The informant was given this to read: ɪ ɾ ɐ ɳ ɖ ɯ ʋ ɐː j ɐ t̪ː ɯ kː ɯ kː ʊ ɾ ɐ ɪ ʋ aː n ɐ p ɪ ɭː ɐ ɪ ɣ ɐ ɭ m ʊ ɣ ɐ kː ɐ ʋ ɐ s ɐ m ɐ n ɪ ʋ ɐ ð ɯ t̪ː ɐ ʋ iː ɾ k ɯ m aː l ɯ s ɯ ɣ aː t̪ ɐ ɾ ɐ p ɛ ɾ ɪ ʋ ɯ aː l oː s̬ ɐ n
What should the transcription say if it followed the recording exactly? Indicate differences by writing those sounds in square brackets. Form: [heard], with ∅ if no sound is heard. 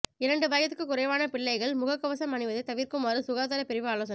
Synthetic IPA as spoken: ɪ ɾ ɐ ɳ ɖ ɯ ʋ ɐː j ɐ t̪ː ɯ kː ɯ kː ʊ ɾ ɐ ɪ ʋ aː n ɐ p ɪ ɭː ɐ ɪ ɣ ɐ ɭ m ʊ ɣ ɐ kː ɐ ʋ ɐ s ɐ m ɐ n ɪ ʋ ɐ ð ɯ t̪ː ɐ ʋ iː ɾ k ɯ m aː [ɾ] ɯ s [ʊ] ɣ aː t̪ ɐ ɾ ɐ p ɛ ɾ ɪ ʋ ɯ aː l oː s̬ ɐ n